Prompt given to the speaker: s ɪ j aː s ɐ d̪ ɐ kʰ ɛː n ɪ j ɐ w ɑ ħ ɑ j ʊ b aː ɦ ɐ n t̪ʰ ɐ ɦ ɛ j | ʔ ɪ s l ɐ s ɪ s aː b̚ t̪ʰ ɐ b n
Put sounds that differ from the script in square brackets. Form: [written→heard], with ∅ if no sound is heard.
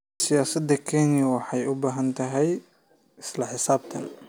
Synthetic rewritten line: s ɪ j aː s ɐ d̪ ɐ kʰ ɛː n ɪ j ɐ w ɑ ħ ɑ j ʊ b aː ɦ ɐ n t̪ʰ ɐ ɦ ɛ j | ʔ ɪ s l ɐ [s→ħ] ɪ s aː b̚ t̪ʰ ɐ [b→∅] n